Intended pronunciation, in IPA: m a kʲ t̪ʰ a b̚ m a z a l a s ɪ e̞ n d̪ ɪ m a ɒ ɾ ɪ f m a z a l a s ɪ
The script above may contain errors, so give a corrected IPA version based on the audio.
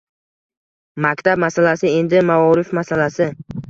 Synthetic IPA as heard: m a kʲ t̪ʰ a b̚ m a s a l a s ɪ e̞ n d̪ ɪ m a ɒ ɾ ɪ f m a s a l a s ɪ